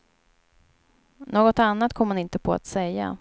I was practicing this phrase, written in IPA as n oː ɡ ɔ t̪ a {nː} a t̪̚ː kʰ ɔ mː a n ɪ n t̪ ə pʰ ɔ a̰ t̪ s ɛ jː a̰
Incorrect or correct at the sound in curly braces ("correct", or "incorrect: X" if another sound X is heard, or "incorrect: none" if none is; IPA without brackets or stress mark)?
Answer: correct